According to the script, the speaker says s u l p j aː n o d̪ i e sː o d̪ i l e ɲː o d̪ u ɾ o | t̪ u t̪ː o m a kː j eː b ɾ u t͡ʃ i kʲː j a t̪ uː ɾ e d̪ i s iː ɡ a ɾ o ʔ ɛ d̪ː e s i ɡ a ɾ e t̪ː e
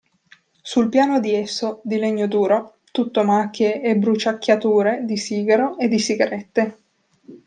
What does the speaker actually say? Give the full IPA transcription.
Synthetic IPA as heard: s u l p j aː n o d̪ i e sː o d̪ i l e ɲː o d̪ uː ɾ o | t̪ u t̪ː o m a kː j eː b ɾ u t͡ʃ a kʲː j a t̪ uː ɾ e d̪ i s iː ɡ a ɾ o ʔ e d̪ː i s i ɡ a ɾ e t̪ː e